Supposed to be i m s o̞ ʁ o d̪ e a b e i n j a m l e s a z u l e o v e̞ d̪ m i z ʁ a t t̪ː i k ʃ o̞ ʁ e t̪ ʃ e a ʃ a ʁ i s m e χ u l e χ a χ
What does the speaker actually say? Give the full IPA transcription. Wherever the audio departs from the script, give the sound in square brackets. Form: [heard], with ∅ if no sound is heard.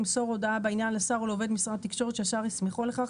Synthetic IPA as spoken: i m s o̞ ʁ o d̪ [a] a b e i n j a [n] l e s a [ʁ] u l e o v e̞ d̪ m i [s] ʁ a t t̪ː i k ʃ o̞ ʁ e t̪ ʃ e a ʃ a ʁ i s m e χ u l e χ a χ